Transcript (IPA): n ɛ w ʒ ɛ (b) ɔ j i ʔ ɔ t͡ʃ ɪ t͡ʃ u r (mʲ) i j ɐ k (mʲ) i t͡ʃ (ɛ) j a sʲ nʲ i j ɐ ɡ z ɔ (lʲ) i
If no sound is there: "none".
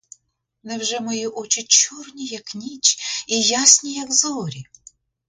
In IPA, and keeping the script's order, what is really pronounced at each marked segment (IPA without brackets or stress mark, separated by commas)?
m, nʲ, nʲ, i, ɾʲ